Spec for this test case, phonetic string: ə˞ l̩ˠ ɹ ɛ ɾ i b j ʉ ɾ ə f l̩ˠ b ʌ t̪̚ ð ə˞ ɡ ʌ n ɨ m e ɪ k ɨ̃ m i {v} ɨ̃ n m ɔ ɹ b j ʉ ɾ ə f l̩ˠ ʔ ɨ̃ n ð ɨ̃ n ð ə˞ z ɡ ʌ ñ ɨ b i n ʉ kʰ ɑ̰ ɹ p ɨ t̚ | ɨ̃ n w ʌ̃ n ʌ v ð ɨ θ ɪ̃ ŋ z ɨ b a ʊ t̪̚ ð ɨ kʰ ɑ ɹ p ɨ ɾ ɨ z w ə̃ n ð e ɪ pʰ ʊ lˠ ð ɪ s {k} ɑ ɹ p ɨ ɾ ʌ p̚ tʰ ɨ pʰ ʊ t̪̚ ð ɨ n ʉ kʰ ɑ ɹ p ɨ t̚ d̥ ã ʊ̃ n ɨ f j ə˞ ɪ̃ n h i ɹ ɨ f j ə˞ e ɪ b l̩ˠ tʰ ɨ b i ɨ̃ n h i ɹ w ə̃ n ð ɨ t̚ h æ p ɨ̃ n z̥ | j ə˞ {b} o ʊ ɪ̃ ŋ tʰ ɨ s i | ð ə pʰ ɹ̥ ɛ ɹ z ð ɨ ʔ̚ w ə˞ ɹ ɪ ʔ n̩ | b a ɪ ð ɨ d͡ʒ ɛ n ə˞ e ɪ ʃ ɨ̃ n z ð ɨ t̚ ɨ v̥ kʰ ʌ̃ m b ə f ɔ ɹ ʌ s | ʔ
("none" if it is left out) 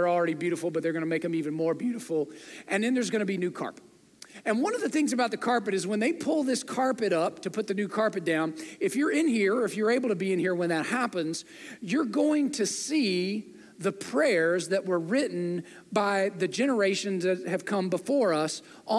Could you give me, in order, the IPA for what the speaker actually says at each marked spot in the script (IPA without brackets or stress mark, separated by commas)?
v, kʰ, ɡ